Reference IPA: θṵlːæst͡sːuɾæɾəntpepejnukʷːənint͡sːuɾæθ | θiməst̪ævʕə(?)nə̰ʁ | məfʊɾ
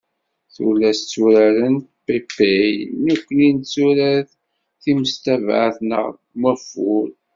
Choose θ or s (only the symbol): θ